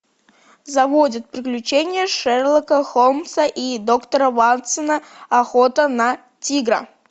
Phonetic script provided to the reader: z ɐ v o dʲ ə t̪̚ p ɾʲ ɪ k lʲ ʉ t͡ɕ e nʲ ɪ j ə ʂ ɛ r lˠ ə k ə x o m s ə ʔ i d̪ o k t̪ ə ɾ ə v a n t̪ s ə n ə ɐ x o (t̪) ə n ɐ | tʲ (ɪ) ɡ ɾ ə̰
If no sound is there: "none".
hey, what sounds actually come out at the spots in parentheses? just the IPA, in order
t̪, i

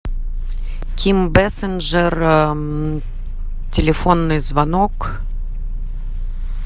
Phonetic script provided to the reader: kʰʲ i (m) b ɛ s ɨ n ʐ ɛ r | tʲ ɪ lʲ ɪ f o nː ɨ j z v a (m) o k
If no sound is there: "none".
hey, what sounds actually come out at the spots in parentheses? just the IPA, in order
m, n

